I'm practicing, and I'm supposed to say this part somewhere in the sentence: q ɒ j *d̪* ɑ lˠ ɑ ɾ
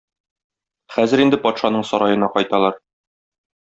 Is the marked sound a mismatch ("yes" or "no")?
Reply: yes